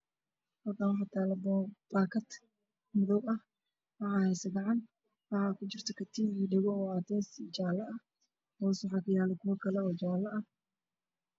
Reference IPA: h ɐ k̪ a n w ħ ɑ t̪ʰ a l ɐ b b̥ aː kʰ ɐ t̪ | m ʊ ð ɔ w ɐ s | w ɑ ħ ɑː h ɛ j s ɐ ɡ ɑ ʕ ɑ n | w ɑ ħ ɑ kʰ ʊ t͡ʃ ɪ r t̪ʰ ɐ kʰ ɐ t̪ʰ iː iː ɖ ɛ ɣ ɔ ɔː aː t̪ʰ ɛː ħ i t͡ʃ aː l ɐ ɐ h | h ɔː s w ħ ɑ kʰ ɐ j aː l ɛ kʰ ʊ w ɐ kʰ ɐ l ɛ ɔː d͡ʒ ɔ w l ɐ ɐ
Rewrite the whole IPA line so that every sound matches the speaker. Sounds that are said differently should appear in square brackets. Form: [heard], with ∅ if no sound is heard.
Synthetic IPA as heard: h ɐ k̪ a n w ħ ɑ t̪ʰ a l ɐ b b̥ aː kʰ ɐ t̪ | m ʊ ð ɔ w ɐ [h] | w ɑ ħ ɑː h ɛ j s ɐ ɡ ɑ ʕ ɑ n | w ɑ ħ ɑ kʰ ʊ t͡ʃ ɪ r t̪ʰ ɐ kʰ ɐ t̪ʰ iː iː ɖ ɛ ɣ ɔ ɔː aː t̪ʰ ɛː [s] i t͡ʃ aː l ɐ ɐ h | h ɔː s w ħ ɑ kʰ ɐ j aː l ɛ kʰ ʊ w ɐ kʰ ɐ l ɛ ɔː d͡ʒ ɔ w l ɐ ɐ

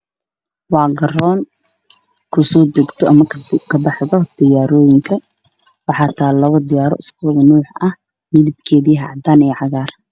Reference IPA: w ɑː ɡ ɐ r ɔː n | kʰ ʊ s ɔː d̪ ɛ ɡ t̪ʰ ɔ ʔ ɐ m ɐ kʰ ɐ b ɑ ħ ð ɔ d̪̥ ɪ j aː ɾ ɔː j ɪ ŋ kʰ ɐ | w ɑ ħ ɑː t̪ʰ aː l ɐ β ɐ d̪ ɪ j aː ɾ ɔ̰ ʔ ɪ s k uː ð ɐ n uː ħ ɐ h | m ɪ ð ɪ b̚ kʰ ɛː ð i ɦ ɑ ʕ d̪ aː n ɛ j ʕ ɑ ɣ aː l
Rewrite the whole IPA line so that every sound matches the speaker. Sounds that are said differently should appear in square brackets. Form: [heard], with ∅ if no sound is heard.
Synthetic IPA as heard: w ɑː ɡ ɐ r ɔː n | kʰ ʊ s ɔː d̪ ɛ ɡ t̪ʰ ɔ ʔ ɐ m ɐ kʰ ɐ b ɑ ħ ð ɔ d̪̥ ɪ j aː ɾ ɔː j ɪ ŋ kʰ ɐ | w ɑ ħ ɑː t̪ʰ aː l ɐ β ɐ d̪ ɪ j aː ɾ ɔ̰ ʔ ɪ s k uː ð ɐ n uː ħ ɐ h | m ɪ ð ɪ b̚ kʰ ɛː ð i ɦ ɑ ʕ d̪ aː n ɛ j ʕ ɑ ɣ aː [r]

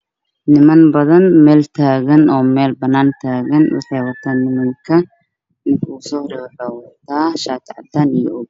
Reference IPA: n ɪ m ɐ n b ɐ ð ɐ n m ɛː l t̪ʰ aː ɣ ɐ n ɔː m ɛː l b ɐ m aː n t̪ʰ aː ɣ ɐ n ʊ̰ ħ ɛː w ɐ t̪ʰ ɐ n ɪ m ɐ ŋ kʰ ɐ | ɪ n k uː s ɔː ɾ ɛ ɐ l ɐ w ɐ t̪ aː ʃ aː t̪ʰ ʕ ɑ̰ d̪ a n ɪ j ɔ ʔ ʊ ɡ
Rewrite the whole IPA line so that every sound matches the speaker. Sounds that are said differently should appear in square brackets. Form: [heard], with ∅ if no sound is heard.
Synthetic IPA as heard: n ɪ m ɐ n b ɐ ð ɐ n m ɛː l t̪ʰ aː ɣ ɐ n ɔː m ɛː l b ɐ [n] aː n t̪ʰ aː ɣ ɐ n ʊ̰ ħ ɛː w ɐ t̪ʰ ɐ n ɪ m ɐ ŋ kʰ ɐ | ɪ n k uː s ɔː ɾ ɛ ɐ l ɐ w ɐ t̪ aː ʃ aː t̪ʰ ʕ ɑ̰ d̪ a n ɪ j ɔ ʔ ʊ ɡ

